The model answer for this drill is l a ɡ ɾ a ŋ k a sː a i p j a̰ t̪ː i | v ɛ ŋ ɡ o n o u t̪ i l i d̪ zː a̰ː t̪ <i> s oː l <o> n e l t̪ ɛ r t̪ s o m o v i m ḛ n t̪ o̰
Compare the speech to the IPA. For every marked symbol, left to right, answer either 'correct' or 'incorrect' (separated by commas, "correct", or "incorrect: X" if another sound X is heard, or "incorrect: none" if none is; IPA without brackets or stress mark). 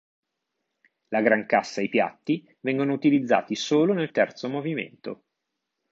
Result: correct, correct